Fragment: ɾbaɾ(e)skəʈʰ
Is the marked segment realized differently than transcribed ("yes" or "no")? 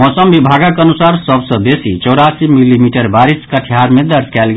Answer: yes